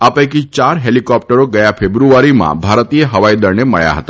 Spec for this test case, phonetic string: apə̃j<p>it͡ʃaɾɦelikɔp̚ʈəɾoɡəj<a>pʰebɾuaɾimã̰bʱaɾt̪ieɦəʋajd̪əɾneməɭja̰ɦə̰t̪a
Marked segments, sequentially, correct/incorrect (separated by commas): incorrect, correct